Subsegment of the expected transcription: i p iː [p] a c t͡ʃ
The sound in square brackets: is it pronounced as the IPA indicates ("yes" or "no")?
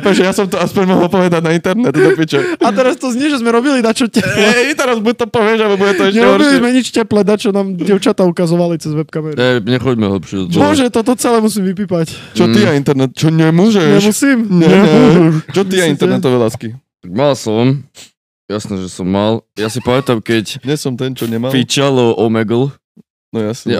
yes